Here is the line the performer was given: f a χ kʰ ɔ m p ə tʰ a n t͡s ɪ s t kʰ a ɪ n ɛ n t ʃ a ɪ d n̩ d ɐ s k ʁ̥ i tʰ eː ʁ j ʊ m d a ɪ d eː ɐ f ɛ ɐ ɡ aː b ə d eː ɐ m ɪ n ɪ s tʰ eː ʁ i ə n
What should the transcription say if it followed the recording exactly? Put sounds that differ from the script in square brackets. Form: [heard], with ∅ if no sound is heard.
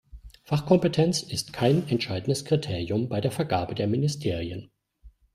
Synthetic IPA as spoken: f a χ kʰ ɔ m p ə tʰ [ɛ] n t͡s ɪ s t kʰ a ɪ n ɛ n t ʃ a ɪ d n̩ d [ə] s k ʁ̥ i tʰ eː ʁ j ʊ m [b] a ɪ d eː ɐ f ɛ ɐ ɡ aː b ə d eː ɐ m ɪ n ɪ s tʰ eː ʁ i ə n